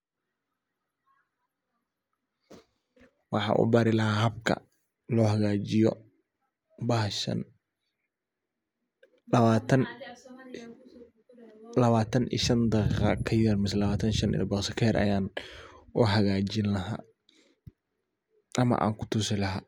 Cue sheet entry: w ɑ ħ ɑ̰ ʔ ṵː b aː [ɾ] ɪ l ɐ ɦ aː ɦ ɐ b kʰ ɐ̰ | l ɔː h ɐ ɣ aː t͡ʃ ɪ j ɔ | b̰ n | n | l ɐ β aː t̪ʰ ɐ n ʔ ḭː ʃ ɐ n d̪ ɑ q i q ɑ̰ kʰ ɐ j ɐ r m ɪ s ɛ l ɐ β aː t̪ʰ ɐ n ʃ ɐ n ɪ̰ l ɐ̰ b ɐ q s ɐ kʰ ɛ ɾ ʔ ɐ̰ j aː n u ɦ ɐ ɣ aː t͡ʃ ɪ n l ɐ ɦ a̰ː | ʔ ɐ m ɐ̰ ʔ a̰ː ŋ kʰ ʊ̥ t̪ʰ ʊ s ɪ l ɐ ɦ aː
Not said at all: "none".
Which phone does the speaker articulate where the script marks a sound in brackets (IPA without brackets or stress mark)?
ɾ